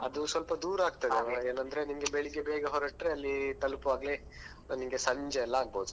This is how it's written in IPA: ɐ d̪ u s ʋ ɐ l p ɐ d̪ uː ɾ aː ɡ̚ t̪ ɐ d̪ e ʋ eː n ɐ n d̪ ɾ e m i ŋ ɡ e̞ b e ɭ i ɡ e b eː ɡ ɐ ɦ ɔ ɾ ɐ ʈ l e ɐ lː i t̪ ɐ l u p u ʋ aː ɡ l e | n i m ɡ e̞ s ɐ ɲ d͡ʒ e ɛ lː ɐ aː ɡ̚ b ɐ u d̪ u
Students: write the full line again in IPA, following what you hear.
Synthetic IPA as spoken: ɐ d̪ u s ʋ ɐ l p ɐ d̪ uː ɾ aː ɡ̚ t̪ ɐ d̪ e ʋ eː n ɐ n d̪ ɾ e n i m ɡ e̞ b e ɭ i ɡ e b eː ɡ ɐ ɦ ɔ ɾ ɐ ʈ ɾ e ɐ lː i t̪ ɐ l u p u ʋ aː ɡ l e | n i m ɡ e̞ s ɐ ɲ d͡ʒ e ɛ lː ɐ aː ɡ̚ b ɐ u d̪ u